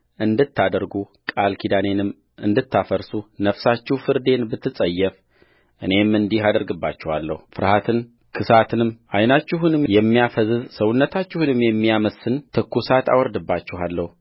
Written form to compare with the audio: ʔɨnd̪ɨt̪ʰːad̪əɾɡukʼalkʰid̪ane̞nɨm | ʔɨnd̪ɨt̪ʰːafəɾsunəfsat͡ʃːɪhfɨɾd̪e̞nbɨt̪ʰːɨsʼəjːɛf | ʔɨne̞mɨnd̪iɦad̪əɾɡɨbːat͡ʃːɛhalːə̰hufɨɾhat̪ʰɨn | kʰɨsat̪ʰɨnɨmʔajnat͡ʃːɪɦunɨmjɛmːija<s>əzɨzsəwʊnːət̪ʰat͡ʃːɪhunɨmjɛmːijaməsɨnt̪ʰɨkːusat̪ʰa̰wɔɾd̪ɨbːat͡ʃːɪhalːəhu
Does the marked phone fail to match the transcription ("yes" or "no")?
yes